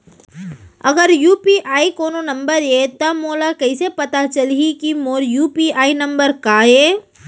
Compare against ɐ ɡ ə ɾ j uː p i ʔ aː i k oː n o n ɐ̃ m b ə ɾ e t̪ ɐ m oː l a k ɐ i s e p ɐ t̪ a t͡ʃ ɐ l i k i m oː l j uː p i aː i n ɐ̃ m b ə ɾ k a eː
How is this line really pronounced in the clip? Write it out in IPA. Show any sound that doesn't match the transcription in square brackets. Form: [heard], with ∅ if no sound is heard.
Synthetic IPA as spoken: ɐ ɡ ə ɾ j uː p i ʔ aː i k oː n o n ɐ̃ m b ə ɾ e t̪ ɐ m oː l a k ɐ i s e p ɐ t̪ a t͡ʃ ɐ l i k i m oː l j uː p i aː i n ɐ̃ m b ə ɾ k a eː